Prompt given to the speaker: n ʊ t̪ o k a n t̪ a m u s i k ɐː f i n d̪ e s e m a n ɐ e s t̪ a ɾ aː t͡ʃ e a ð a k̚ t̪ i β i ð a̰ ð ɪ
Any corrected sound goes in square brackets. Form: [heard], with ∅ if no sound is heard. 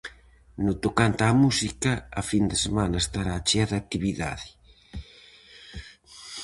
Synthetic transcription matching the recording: n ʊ t̪ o k a n t̪ a m u s i k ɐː f i n d̪ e s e m a n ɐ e s t̪ a ɾ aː t͡ʃ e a ð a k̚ t̪ i β i ð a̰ ð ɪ